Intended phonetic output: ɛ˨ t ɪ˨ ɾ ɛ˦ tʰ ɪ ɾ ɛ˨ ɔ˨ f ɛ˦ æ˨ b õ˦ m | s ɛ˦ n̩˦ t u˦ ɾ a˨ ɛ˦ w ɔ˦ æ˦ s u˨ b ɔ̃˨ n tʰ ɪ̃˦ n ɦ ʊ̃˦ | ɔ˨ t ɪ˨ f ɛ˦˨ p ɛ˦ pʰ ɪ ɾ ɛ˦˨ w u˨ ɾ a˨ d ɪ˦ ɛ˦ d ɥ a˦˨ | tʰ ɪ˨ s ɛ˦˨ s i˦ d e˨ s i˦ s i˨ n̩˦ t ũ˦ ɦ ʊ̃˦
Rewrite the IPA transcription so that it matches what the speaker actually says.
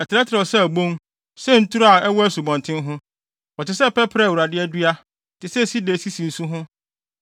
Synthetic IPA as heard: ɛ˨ t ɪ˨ ɾ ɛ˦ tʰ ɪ ɾ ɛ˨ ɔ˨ s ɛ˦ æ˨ b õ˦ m | s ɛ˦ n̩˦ t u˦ ɾ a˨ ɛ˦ w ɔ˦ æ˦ s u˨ b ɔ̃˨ n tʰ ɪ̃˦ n ɦ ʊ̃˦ | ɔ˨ t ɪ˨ s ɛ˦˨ p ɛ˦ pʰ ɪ ɾ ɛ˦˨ w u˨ ɾ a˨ d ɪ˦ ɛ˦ d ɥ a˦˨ | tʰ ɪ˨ s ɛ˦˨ s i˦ d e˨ s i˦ s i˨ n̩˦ s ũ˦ ɦ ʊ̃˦